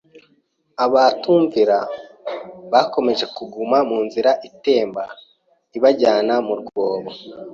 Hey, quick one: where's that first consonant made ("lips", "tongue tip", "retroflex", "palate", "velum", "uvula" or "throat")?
lips